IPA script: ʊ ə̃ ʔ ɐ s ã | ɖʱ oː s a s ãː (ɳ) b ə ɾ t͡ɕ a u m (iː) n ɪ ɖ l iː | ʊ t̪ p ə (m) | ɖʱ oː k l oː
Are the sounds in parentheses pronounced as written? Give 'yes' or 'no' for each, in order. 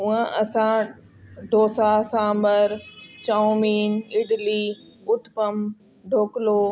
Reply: no, yes, yes

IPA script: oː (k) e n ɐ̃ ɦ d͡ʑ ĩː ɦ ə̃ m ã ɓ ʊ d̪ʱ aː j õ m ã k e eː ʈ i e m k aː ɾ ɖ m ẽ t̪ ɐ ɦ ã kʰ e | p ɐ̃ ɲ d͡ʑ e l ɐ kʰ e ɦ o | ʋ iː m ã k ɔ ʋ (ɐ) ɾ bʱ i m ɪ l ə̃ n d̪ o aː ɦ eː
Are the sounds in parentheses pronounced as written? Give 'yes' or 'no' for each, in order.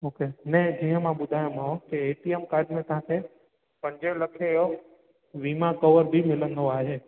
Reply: yes, no

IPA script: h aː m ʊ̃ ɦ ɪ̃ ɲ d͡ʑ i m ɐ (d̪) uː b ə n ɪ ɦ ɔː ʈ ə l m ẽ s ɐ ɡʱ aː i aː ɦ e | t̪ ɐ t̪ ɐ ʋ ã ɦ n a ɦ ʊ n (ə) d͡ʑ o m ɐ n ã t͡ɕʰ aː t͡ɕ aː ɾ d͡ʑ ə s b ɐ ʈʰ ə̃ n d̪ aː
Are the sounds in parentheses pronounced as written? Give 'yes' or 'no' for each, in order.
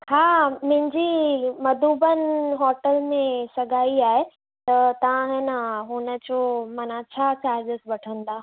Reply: yes, yes

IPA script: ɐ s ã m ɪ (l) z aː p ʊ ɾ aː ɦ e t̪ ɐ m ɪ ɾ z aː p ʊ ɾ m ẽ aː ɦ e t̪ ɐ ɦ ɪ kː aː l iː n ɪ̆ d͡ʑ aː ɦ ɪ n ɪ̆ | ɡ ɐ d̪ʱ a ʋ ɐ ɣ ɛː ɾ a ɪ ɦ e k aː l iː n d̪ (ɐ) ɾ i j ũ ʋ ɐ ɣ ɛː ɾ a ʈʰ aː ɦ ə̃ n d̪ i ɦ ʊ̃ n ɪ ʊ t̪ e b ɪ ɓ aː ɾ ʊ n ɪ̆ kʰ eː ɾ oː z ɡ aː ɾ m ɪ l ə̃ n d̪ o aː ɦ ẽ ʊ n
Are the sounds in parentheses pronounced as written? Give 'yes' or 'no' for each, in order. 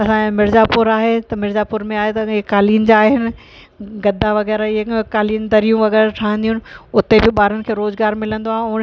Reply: no, yes

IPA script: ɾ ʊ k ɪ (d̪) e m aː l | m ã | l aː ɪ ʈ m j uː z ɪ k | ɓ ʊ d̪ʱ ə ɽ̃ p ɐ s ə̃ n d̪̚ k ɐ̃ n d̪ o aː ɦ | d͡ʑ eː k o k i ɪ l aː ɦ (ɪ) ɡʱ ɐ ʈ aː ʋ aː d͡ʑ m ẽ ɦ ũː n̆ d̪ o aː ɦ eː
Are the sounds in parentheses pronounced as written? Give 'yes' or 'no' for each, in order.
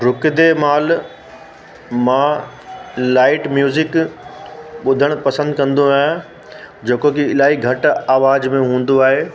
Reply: yes, no

